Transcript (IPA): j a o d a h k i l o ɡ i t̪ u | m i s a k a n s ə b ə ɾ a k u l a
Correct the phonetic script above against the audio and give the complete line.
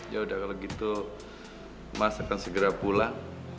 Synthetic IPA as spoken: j a u d a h k a l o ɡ i t̪ u | m a s a k a n s ə ɡ ə ɾ a p u l a